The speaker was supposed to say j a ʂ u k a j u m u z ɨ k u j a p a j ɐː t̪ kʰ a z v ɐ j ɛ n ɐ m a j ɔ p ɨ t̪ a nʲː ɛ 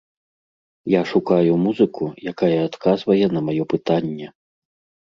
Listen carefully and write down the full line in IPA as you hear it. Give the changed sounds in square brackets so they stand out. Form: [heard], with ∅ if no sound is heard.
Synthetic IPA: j a ʂ u k a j u m u z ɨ k u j a [k] a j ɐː t̪ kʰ a z v ɐ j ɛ n ɐ m a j ɔ p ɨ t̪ a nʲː ɛ